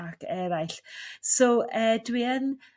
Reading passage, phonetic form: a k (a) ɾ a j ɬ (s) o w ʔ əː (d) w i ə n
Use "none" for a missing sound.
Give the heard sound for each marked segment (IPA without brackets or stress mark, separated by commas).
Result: ɛ, s, d